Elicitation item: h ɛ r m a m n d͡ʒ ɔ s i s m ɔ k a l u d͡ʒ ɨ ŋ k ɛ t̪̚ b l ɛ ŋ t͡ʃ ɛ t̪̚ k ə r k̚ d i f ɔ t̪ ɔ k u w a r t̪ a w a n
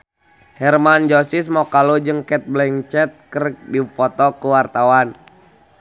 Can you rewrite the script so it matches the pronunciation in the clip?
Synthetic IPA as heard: h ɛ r m a n d͡ʒ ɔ s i s m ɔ k a l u d͡ʒ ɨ ŋ k ɛ t̪̚ b l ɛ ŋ t͡ʃ ɛ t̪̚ k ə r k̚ d i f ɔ t̪ ɔ k u w a r t̪ a w a n